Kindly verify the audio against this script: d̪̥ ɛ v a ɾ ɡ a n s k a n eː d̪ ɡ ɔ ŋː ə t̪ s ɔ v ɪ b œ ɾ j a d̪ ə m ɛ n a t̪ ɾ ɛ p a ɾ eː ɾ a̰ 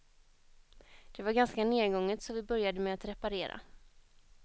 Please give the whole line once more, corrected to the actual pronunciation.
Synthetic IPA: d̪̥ ɛ v a ɾ ɡ a n s k a n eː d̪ ɡ ɔ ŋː ə t̪ s ɔ v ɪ b œ ɾ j a d̪ ə m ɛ a t̪ ɾ ɛ p a ɾ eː ɾ a̰